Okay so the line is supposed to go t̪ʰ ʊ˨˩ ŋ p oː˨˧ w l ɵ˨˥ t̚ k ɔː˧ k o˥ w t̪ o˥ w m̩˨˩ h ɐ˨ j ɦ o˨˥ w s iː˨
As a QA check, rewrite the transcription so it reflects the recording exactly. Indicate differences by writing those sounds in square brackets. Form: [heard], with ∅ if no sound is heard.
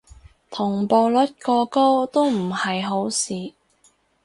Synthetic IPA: t̪ʰ ʊ˨˩ ŋ p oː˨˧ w l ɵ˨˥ t̚ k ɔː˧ k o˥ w t̪ o˥ w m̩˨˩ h ɐ˨ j ɦ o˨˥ w s iː˨

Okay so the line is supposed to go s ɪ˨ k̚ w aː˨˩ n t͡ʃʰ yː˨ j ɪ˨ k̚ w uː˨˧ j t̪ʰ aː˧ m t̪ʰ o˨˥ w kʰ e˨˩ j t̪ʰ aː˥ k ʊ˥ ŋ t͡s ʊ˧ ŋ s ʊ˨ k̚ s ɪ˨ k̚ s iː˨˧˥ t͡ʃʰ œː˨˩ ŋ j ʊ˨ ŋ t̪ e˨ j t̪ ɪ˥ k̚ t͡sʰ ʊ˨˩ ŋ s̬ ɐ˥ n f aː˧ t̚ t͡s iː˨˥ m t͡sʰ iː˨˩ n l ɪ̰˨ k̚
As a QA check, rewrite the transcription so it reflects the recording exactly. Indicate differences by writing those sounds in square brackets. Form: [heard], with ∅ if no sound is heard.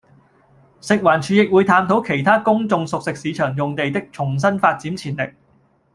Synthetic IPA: s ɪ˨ k̚ w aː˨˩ n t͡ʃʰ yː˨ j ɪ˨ k̚ w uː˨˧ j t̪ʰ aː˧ m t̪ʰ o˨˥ w kʰ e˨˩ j t̪ʰ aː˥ k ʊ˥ ŋ t͡s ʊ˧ ŋ s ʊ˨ k̚ s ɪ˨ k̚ s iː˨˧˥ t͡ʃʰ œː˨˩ ŋ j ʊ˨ ŋ t̪ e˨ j t̪ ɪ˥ k̚ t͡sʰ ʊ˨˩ ŋ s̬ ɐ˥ n f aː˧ t̚ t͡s iː˨˥ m t͡sʰ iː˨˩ n l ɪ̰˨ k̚

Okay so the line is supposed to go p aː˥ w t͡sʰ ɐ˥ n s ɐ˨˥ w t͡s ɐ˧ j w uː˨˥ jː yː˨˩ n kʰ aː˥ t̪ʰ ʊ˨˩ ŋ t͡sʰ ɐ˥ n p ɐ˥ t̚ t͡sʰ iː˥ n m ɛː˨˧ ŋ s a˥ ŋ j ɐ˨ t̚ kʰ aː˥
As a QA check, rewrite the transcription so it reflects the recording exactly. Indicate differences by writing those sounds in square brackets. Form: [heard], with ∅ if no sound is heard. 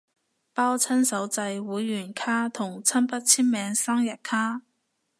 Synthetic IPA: p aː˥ w t͡sʰ ɐ˥ n s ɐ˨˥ w t͡s ɐ˧ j w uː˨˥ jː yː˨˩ n kʰ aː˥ t̪ʰ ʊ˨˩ ŋ t͡sʰ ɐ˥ n p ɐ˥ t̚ t͡sʰ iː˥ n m ɛː˨˧ ŋ s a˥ ŋ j ɐ˨ t̚ kʰ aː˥

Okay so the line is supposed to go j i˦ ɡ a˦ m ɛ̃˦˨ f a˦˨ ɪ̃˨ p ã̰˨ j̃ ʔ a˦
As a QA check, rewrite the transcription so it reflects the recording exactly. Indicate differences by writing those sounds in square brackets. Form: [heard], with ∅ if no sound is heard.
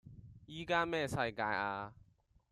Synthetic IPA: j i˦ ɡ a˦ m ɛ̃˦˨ [s] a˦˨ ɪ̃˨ [k] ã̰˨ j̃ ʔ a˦

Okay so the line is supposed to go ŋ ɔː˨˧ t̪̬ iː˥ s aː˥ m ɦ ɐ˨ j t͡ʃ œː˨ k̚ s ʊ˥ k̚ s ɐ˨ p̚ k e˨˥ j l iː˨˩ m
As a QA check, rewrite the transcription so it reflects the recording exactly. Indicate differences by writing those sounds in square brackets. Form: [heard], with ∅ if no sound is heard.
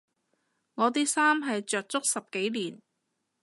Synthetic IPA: ŋ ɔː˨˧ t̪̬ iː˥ s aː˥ m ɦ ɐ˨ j t͡ʃ œː˨ k̚ [t͡s] ʊ˥ k̚ s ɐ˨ p̚ k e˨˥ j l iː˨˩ [n]

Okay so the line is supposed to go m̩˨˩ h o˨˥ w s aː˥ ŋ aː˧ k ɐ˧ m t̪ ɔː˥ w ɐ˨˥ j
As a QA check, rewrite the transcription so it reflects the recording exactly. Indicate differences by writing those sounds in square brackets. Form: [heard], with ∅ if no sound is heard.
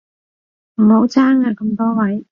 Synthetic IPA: m̩˨˩ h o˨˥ w [t͡s] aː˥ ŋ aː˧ k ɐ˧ m t̪ ɔː˥ w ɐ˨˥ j

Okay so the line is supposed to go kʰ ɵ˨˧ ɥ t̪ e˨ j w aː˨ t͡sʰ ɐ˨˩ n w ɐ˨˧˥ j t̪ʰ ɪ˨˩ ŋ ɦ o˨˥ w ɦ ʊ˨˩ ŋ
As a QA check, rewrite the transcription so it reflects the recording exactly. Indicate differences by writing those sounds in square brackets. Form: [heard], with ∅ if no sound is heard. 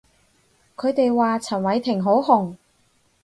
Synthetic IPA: kʰ ɵ˨˧ ɥ t̪ e˨ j w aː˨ t͡sʰ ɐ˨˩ n w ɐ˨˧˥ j t̪ʰ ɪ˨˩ ŋ ɦ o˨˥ w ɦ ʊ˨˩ ŋ

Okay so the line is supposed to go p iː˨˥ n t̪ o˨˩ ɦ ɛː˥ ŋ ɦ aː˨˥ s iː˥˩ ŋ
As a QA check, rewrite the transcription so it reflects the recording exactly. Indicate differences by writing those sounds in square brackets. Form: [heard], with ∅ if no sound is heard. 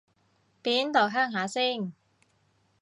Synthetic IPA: p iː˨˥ n t̪ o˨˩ ɦ [œː˥] ŋ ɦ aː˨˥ s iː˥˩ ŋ

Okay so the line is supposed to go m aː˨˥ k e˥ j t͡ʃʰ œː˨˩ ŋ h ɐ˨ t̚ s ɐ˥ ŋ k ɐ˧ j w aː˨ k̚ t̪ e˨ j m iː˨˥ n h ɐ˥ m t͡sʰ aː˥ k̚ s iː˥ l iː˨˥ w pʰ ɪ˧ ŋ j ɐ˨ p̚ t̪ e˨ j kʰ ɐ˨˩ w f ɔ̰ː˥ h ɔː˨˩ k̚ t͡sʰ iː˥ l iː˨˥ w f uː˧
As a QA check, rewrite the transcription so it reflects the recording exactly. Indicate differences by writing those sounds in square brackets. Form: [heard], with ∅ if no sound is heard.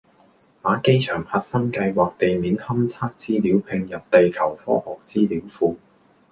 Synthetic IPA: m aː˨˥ k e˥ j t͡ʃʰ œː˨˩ ŋ h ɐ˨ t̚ s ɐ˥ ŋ k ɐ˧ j w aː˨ k̚ t̪ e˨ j m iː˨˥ n h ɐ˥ m t͡sʰ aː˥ k̚ [t͡s] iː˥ l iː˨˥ w pʰ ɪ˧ ŋ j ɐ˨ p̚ t̪ e˨ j kʰ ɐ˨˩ w f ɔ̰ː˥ h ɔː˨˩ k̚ [t͡s] iː˥ l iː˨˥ w f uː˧

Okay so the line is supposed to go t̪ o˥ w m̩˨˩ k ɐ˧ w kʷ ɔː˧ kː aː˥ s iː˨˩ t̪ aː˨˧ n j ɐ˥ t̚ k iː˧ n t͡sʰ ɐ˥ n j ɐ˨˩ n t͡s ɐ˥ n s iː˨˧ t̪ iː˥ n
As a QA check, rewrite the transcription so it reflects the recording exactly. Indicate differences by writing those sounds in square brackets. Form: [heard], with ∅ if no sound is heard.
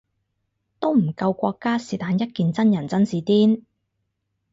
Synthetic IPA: t̪ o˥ w m̩˨˩ k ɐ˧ w kʷ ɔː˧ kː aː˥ s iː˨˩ t̪ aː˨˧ n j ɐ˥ t̚ k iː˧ n [t͡s] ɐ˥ n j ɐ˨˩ n t͡s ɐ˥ n s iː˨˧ t̪ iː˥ n

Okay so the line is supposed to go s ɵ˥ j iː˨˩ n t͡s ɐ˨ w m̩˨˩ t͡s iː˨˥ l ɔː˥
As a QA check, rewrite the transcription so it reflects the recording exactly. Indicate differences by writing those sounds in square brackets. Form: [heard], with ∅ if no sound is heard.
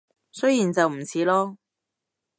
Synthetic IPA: s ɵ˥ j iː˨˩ n t͡s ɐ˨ w m̩˨˩ [t͡sʰ] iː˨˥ l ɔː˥

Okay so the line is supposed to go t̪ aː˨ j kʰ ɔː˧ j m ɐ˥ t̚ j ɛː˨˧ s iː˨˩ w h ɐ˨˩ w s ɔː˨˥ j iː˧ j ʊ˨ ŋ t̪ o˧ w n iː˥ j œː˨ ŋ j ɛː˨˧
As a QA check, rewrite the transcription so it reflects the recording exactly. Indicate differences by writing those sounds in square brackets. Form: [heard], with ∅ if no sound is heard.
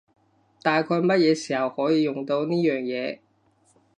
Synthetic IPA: t̪ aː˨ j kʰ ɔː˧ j m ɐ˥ t̚ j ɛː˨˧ s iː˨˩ [∅] h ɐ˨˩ w [h] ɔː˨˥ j iː˧ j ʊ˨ ŋ t̪ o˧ w n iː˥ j œː˨ ŋ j ɛː˨˧

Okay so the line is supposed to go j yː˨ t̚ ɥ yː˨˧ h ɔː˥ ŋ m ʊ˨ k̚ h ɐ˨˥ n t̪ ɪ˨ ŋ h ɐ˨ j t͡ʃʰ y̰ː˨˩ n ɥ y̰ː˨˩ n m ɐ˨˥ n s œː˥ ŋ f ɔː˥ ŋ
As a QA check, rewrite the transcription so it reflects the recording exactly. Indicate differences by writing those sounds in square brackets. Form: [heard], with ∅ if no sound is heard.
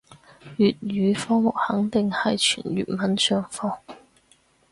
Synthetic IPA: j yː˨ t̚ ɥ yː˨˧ [f] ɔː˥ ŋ m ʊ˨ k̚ h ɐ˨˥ [ŋ] t̪ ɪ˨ ŋ h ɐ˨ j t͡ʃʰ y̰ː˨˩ n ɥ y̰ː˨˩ n m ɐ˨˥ n s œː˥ ŋ f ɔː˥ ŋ

